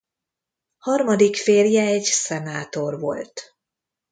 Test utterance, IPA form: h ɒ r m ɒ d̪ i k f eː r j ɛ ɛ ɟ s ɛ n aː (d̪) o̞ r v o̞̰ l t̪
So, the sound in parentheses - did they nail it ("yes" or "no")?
no